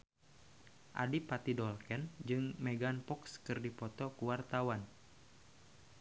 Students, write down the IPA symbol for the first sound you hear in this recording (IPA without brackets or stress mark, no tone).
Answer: ʔ